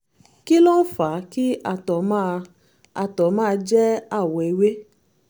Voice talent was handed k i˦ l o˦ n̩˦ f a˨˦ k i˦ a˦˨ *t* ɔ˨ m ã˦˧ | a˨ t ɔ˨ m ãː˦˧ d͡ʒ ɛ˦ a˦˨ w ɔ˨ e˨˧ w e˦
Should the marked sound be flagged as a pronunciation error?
no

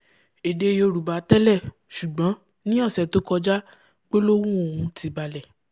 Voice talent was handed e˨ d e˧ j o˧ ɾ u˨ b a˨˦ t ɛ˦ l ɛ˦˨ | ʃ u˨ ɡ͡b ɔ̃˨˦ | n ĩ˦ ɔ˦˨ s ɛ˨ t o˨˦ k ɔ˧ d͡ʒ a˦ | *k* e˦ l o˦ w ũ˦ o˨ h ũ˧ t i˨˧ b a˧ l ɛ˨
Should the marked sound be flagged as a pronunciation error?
yes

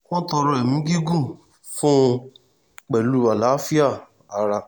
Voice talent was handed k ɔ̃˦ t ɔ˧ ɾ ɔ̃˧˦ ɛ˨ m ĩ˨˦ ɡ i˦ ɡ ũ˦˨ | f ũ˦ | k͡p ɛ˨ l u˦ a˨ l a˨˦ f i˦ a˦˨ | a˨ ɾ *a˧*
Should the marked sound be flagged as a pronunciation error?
no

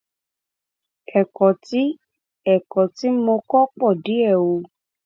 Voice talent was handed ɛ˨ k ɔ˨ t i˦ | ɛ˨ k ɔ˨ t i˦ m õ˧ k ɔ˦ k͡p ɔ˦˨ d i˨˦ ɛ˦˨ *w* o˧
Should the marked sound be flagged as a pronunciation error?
no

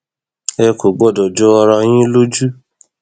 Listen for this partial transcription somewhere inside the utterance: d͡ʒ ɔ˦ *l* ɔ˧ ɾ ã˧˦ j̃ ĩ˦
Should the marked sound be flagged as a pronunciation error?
yes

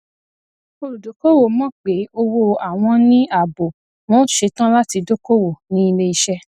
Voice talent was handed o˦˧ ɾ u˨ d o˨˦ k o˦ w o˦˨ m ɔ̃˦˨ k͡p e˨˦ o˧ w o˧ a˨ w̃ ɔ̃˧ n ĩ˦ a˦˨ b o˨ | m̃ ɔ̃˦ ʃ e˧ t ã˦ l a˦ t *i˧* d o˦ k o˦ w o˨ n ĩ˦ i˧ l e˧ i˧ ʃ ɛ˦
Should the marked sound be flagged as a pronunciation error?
no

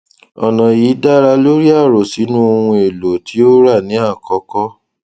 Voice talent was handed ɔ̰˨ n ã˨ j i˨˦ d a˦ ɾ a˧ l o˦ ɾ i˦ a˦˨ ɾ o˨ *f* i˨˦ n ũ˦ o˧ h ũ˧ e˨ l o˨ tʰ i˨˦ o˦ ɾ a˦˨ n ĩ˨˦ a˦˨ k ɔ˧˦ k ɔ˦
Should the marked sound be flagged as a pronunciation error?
yes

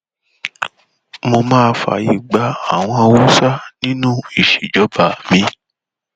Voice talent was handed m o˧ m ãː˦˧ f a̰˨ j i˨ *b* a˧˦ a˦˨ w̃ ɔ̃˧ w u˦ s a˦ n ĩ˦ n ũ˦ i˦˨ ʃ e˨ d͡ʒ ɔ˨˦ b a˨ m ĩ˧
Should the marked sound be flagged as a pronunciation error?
yes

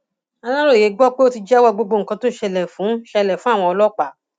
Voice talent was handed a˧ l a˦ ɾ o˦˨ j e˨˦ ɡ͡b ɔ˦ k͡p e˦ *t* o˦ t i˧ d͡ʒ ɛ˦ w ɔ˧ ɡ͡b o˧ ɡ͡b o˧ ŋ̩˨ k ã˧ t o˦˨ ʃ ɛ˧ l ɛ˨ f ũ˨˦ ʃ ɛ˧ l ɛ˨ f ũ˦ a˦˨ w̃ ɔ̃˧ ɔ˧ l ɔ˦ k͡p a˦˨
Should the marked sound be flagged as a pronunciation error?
yes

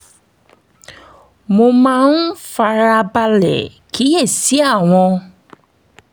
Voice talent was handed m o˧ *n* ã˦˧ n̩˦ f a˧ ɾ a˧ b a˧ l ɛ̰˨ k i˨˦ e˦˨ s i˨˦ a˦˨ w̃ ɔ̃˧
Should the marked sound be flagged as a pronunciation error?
yes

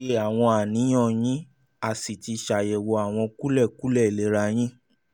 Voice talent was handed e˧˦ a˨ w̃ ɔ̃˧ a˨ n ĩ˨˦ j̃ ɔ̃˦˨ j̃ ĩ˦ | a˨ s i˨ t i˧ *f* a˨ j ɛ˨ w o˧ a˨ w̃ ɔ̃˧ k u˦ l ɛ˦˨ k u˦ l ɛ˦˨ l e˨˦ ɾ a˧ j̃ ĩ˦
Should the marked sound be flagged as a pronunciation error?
yes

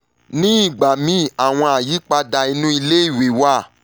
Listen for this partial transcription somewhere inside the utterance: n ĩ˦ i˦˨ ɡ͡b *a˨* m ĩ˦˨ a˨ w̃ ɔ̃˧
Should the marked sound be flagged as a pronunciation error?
no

